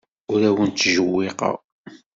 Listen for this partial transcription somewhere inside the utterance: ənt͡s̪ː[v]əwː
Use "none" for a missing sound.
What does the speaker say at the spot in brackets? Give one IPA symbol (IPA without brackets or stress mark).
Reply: ʒ